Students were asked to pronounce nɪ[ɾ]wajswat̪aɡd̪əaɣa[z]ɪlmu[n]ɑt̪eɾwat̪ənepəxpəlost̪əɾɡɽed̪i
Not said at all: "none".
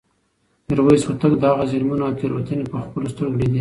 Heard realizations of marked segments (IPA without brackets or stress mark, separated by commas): ɾ, z, n